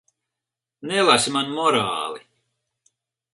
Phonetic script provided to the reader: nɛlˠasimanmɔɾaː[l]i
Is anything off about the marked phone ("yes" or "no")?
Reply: no